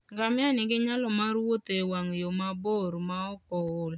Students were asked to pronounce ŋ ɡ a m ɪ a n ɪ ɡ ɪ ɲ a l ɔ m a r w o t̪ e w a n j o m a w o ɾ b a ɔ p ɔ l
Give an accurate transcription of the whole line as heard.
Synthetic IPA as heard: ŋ ɡ a m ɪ a n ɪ ɡ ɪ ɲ a l ɔ m a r w o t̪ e w a ŋ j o m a b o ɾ m a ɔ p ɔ l